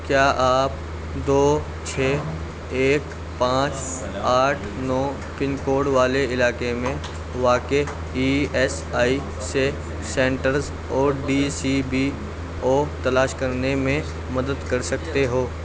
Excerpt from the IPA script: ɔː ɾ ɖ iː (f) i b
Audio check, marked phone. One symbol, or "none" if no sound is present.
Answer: s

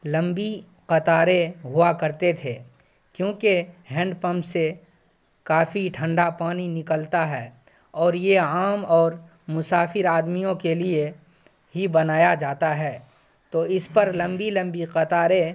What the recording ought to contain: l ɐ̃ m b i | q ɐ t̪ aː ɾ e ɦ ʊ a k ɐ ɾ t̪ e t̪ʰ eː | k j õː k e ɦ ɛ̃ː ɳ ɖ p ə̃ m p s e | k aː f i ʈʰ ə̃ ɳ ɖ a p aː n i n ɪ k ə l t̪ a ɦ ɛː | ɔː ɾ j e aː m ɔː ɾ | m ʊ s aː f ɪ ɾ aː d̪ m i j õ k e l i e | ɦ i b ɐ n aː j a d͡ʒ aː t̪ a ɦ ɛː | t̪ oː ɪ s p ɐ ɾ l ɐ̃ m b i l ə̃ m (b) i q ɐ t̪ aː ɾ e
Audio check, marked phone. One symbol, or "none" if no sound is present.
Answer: b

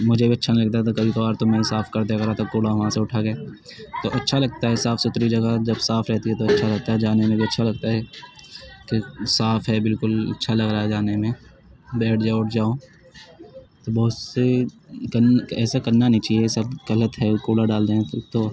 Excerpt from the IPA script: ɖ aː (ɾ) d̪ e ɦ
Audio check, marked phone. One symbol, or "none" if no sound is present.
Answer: l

